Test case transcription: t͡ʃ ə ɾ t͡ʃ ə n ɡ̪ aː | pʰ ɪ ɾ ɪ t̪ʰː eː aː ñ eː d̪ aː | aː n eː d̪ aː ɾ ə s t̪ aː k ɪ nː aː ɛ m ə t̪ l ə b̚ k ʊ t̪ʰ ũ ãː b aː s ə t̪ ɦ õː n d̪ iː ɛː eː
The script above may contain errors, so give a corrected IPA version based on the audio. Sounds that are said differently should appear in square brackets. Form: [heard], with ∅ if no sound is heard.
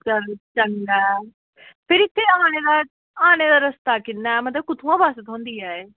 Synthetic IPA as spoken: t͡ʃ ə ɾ t͡ʃ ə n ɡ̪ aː | pʰ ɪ ɾ ɪ t̪ʰː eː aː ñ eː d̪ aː | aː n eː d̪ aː ɾ ə s t̪ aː k ɪ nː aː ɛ m ə t̪ l ə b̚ k ʊ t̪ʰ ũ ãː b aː s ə t̪ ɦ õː n d̪ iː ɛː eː